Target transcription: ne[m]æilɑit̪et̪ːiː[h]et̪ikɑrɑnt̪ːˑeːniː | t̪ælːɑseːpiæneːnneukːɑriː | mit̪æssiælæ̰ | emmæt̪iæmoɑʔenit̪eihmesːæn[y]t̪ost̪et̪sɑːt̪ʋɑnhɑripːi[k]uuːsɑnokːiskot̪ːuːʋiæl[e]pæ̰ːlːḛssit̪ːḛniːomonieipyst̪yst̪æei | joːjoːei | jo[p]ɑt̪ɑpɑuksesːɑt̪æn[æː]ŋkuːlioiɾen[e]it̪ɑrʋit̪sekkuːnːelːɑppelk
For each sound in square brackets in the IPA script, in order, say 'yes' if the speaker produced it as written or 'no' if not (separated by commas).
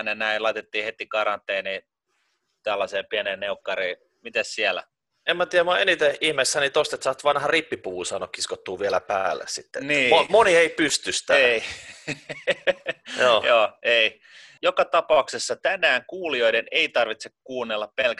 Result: no, yes, no, no, no, no, yes, yes